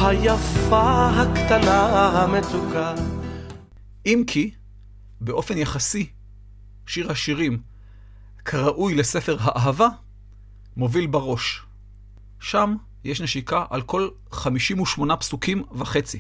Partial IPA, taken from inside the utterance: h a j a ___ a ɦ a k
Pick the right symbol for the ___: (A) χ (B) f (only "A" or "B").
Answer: B